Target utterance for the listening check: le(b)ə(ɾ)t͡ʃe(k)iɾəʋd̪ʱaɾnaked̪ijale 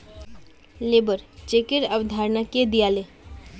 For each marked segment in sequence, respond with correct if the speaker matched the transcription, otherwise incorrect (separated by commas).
correct, correct, correct